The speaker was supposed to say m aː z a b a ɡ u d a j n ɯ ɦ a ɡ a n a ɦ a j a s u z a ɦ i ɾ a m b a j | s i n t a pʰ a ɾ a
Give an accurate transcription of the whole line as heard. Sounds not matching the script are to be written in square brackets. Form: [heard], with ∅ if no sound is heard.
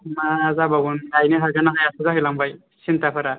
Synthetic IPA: m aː z a b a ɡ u [n] a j n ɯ ɦ a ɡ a n a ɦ a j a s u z a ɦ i [l] a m b a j | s i n t a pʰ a ɾ a